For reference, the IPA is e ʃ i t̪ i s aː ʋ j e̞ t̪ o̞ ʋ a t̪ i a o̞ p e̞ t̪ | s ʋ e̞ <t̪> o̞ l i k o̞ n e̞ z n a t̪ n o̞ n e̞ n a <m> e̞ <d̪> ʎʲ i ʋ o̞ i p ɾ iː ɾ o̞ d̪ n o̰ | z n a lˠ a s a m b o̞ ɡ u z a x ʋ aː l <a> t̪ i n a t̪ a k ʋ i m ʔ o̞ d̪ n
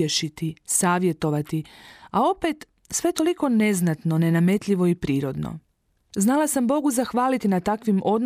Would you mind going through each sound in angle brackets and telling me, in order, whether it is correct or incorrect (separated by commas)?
correct, correct, incorrect, incorrect